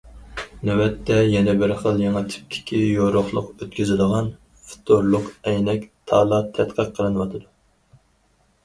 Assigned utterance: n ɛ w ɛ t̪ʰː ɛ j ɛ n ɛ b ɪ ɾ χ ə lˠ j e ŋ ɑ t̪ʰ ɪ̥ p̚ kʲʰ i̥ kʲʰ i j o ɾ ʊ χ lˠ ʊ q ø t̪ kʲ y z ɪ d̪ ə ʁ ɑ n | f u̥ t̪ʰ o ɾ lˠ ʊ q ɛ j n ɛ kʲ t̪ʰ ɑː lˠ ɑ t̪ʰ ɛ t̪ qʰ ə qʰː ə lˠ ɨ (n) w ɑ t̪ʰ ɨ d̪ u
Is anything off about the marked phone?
no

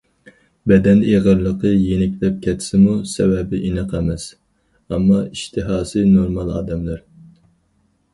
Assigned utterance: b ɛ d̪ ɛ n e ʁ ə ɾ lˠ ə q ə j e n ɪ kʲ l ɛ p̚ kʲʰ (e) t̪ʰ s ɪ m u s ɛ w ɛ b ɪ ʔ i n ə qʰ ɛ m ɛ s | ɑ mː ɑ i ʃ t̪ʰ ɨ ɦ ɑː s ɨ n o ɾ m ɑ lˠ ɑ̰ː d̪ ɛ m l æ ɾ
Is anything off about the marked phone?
yes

